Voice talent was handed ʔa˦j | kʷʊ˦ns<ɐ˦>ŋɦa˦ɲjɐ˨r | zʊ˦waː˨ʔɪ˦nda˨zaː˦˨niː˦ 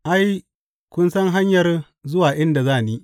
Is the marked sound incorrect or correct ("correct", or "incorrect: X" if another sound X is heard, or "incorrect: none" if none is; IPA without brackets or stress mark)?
correct